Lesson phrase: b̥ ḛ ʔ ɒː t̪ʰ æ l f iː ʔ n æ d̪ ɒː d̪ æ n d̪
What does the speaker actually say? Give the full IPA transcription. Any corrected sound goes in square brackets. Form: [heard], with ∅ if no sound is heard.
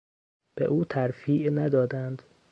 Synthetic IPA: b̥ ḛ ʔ [uː] t̪ʰ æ [ɾ] f iː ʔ n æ d̪ ɒː d̪ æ n d̪